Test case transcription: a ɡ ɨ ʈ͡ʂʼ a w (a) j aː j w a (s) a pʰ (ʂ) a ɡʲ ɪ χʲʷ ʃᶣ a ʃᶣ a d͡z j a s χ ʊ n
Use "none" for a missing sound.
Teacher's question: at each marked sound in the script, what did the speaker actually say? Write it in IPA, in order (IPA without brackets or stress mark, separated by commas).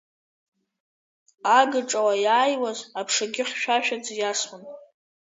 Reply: a, z, ʂ